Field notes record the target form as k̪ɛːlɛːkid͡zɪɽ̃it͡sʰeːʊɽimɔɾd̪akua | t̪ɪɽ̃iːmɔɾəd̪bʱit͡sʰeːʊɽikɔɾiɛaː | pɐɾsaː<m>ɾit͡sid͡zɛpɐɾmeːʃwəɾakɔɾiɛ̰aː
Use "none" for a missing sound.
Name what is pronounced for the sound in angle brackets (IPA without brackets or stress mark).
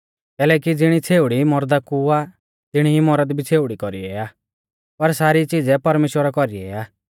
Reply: none